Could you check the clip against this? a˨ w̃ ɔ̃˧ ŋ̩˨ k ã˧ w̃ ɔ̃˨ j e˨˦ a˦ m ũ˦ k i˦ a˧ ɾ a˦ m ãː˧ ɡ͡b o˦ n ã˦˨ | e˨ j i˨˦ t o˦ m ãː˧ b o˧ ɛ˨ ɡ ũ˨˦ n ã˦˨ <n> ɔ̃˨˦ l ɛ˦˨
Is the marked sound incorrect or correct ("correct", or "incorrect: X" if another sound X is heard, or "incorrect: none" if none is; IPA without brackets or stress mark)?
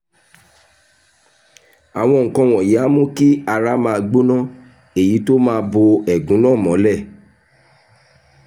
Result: incorrect: m